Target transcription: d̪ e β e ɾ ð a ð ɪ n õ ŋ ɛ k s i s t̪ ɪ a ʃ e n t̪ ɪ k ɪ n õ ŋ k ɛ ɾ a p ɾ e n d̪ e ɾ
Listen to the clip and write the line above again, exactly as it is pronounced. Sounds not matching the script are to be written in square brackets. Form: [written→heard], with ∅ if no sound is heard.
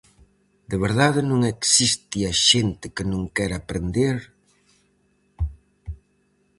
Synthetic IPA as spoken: d̪ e β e ɾ ð a ð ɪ n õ ŋ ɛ k s i s t̪ [ɪ→i] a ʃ e n t̪ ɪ k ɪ n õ ŋ k ɛ ɾ a p ɾ e n d̪ e ɾ